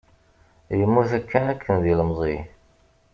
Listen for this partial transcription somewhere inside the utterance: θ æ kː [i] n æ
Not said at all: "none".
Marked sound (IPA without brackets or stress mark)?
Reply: æ